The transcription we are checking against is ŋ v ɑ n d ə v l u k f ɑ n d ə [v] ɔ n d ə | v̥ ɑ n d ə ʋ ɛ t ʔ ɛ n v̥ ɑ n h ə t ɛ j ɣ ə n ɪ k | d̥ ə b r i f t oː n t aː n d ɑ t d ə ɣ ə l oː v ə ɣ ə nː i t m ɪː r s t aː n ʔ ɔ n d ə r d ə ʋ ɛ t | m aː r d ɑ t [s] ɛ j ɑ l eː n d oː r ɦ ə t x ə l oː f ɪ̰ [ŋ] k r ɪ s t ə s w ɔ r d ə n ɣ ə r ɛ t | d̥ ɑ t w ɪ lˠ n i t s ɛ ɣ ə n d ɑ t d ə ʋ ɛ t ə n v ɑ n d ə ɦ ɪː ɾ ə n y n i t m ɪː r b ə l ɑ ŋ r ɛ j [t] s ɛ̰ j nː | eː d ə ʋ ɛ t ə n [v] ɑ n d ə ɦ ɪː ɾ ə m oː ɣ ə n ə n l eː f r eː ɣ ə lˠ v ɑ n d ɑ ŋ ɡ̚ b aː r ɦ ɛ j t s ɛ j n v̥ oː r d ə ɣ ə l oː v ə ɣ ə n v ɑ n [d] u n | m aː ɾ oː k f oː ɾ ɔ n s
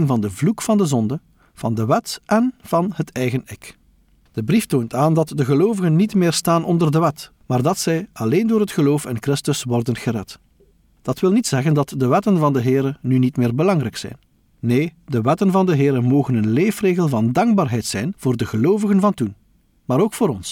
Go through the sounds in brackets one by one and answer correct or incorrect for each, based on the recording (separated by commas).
incorrect, correct, incorrect, incorrect, correct, incorrect